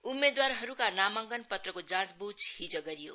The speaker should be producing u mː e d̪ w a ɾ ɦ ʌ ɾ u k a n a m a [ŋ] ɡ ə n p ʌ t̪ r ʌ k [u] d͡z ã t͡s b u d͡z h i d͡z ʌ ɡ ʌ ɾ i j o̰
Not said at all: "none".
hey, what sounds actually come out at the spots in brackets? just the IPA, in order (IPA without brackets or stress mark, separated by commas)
ŋ, o